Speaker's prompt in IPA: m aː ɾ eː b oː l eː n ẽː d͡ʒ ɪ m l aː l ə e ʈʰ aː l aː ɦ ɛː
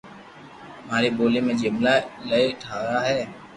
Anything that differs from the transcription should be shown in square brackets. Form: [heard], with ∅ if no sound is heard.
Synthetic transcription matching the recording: m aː ɾ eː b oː l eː [m] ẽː d͡ʒ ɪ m l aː l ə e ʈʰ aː [ɾ] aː ɦ ɛː